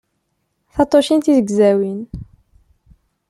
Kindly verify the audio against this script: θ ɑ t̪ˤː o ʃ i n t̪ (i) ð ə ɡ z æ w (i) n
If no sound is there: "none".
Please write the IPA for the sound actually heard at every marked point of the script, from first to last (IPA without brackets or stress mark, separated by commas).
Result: i, i